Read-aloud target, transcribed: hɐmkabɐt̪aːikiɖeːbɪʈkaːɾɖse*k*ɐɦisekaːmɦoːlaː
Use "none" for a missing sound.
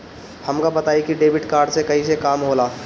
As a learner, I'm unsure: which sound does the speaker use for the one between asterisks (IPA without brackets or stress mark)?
k